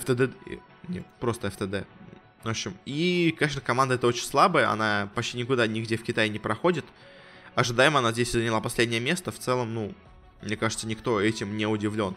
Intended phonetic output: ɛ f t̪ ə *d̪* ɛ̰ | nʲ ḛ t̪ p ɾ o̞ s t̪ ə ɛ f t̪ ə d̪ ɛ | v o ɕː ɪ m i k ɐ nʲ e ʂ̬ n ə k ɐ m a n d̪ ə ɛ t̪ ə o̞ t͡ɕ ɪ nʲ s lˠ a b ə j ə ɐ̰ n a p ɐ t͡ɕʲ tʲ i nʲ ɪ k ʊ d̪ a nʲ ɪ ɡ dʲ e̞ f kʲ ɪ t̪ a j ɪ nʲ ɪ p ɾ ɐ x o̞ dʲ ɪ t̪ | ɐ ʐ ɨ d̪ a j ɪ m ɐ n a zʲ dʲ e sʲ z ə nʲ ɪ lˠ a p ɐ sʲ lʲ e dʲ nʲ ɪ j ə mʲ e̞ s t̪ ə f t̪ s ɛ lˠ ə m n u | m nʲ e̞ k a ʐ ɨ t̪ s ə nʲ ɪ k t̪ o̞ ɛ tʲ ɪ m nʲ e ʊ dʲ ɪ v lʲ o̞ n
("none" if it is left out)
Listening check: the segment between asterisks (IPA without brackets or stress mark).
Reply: d̪